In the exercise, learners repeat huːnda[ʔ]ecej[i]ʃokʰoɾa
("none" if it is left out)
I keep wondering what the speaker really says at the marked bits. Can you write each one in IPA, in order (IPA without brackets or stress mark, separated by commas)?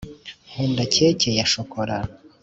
c, a